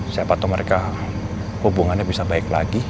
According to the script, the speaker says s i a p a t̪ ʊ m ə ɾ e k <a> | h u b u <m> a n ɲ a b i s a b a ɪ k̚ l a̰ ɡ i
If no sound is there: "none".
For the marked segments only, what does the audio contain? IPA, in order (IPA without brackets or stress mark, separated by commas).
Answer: a, ŋ